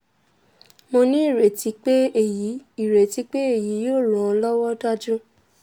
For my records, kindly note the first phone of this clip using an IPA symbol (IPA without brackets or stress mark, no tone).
m